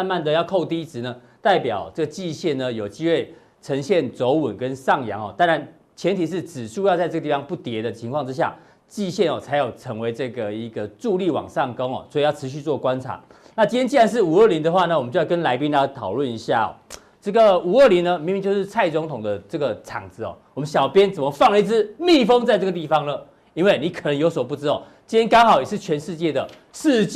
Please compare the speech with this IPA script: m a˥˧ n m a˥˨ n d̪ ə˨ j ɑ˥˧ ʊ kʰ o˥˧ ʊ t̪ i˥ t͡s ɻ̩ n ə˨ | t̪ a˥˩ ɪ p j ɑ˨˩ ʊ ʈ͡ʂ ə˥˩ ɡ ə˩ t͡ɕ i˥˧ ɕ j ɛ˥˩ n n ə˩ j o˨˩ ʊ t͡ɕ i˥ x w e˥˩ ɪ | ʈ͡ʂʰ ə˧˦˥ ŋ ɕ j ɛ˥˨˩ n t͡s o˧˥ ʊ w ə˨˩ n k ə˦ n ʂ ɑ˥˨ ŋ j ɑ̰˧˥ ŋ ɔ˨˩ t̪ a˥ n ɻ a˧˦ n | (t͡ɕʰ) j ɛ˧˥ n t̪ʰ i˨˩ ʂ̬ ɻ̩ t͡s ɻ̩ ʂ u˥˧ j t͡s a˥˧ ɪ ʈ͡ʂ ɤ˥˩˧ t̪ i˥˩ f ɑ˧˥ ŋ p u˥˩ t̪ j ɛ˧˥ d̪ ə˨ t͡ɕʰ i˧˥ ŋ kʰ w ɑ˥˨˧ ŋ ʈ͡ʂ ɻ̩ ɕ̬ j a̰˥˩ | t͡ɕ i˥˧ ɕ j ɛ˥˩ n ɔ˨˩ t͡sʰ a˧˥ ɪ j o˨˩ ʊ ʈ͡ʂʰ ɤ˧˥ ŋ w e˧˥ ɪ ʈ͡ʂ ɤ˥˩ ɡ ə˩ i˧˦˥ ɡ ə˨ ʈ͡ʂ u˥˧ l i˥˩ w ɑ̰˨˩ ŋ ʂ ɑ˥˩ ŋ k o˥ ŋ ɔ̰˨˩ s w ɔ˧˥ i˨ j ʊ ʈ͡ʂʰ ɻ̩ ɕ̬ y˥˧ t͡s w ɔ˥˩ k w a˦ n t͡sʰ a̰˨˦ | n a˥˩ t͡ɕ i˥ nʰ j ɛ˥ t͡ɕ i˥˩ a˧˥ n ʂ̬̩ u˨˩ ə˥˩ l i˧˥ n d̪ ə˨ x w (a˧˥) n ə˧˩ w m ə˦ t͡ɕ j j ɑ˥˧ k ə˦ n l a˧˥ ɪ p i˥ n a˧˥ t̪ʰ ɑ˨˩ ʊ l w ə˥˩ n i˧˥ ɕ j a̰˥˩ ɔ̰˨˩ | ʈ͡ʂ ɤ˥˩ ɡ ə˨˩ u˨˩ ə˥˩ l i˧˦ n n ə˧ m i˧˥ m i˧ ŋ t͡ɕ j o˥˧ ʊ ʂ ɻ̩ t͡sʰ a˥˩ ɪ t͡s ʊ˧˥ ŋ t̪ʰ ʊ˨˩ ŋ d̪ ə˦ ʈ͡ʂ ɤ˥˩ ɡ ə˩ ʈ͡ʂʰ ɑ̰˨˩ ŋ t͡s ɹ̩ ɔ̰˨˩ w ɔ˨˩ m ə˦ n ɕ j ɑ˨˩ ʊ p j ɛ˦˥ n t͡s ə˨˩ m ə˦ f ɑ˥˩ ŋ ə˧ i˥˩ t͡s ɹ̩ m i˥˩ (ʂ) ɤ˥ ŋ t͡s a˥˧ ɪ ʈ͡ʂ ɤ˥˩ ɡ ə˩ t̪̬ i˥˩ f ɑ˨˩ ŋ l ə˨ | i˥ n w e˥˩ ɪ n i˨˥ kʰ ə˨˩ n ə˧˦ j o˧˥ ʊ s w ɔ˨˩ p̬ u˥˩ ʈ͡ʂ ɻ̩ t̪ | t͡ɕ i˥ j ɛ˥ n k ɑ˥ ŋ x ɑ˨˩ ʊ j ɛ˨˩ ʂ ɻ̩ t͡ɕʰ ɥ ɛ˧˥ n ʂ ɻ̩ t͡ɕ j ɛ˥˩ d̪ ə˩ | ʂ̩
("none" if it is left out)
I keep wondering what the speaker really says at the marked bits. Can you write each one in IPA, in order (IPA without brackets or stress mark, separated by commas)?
t͡ɕʰ, a˥˩, f